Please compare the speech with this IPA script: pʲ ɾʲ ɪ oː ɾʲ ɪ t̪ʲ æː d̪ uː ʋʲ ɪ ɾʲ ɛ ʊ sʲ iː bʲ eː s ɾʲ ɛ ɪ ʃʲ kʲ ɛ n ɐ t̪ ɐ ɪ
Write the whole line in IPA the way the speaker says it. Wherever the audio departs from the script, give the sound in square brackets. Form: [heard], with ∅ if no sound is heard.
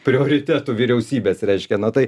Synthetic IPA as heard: pʲ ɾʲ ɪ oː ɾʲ ɪ t̪ʲ æː [t̪] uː ʋʲ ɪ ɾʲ ɛ ʊ sʲ iː bʲ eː s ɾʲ ɛ ɪ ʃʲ kʲ ɛ n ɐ t̪ ɐ ɪ